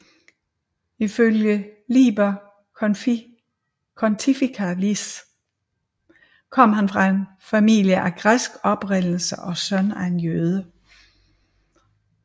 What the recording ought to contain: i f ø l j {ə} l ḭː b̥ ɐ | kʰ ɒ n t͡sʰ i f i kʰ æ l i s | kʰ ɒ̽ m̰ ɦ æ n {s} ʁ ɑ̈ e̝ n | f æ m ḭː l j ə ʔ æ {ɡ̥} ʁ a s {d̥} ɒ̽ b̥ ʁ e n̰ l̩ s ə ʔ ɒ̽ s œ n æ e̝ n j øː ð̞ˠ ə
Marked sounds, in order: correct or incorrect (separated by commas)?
correct, incorrect, correct, incorrect